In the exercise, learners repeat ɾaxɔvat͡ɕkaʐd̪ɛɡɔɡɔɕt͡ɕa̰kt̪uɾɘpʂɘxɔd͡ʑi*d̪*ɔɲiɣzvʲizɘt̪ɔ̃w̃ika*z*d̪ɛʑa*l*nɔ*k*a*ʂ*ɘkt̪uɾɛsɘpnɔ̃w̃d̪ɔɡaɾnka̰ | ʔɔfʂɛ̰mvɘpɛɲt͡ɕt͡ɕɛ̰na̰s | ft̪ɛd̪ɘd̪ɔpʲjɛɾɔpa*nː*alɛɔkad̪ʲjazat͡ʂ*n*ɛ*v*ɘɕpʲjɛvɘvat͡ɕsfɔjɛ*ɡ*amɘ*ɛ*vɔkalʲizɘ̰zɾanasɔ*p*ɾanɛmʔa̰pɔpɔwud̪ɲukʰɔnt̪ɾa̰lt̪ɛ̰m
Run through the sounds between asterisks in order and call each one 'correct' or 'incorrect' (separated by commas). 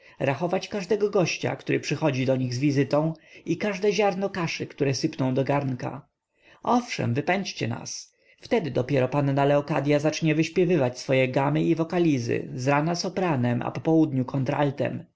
correct, incorrect, incorrect, correct, correct, correct, incorrect, correct, correct, incorrect, correct